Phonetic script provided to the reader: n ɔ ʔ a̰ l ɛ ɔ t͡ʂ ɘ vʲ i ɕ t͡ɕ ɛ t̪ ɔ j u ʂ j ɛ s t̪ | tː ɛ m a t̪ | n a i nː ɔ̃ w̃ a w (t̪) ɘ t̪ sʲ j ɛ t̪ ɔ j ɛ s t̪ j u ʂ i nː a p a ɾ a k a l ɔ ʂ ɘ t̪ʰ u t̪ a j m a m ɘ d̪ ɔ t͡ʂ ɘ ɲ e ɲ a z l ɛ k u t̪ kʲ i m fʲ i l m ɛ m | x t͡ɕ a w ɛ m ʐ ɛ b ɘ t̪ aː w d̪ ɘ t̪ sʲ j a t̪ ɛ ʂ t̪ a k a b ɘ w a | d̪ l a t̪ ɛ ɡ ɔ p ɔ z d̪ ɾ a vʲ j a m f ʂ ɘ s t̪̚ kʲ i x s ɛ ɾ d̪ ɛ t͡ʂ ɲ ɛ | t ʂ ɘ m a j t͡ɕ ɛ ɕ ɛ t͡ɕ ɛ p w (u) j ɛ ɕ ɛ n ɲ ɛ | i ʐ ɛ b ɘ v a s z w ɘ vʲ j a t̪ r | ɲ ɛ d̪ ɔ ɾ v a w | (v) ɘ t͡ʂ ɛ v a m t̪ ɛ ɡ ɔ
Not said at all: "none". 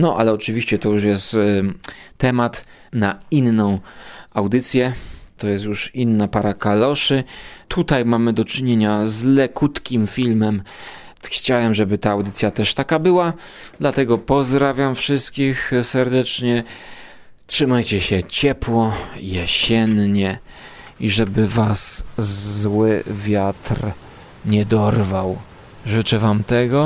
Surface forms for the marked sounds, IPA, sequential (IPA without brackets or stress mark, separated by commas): d̪, ɔ, ʐ